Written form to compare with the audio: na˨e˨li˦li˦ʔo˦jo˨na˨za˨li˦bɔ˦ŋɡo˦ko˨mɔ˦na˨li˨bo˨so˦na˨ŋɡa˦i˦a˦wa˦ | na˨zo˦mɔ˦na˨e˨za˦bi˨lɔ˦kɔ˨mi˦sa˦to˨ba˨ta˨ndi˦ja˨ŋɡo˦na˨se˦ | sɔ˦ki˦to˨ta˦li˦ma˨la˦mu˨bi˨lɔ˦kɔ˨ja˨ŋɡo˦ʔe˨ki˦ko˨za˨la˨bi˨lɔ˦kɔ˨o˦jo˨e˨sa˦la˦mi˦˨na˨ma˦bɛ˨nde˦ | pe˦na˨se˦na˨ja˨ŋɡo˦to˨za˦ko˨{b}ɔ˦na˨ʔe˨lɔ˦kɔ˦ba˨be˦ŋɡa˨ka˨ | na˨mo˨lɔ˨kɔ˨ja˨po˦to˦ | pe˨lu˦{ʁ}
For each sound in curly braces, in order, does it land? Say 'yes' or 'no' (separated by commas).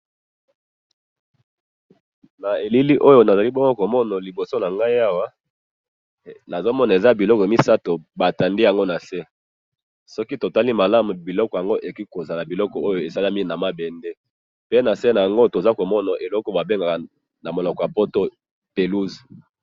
no, no